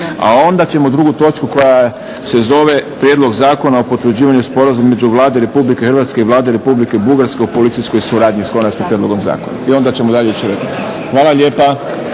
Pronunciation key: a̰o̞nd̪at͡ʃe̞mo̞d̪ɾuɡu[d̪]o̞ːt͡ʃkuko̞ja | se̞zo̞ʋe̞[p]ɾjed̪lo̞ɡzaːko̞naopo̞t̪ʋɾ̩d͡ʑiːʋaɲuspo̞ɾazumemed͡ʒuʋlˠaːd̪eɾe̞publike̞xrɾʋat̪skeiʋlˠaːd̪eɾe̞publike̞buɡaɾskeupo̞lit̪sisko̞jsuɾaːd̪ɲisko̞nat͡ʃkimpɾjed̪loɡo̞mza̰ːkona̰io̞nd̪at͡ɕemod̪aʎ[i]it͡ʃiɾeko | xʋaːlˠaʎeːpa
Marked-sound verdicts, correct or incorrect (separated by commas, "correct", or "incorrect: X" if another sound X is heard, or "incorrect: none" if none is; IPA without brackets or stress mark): incorrect: t̪, correct, incorrect: e